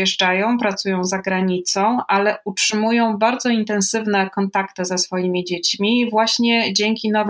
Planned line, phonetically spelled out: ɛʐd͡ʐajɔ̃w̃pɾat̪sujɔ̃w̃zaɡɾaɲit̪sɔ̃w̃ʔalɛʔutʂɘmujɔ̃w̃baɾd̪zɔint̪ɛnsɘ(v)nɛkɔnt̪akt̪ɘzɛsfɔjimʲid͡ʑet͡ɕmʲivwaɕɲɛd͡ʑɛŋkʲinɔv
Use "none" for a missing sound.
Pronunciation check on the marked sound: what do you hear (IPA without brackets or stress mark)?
v